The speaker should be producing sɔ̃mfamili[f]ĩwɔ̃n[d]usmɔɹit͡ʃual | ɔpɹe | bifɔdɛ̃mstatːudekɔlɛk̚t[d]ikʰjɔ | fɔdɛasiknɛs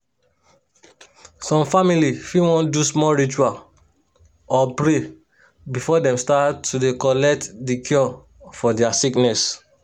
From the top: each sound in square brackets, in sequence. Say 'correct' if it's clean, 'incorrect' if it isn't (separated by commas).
correct, correct, correct